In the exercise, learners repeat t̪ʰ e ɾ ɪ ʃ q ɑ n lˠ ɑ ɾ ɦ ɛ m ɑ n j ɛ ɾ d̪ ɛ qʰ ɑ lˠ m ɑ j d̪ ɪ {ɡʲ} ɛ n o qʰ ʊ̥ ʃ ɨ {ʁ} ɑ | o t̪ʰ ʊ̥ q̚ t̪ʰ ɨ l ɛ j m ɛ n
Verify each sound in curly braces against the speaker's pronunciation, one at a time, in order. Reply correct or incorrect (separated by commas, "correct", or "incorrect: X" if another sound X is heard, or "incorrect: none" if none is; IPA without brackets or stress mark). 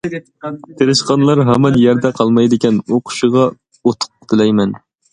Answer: incorrect: kʲ, correct